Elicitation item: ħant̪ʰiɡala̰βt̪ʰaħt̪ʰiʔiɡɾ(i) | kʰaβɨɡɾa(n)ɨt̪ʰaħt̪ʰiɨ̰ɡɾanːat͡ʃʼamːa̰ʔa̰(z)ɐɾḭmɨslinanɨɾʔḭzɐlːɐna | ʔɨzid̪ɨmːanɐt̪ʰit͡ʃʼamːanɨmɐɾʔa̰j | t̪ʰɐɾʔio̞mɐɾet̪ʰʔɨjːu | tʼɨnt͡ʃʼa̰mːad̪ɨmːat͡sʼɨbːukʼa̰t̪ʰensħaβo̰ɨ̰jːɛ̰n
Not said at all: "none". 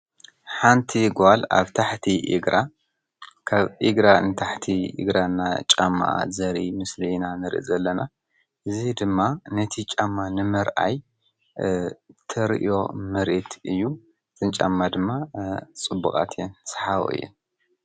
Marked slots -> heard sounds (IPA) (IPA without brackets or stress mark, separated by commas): a, n, z